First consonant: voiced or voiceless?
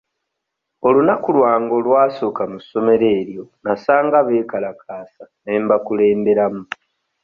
voiced